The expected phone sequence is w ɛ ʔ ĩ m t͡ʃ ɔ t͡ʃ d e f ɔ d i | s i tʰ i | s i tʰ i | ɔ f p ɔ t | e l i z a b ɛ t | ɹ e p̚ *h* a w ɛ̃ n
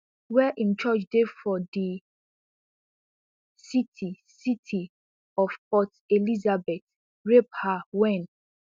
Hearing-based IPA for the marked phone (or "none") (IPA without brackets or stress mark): h